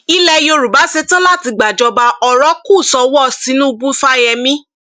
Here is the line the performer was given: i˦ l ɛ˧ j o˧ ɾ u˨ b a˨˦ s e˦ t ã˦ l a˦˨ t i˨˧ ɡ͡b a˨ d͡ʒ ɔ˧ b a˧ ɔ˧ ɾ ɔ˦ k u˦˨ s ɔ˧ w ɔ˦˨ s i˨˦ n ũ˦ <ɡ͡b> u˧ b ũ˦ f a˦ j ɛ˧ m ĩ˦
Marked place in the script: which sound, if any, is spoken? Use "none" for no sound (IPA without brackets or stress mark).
none